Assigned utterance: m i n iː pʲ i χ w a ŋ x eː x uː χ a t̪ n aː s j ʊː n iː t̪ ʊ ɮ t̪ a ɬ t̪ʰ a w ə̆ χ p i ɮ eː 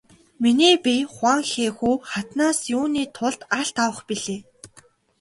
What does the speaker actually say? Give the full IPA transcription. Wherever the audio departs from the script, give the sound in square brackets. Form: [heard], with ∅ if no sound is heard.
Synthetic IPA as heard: m i n iː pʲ i χ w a ŋ x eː x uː χ a t̪ n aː s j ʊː n iː [t̪ʰ] ʊ ɮ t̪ a ɬ [t̪] a w ə̆ χ p i ɮ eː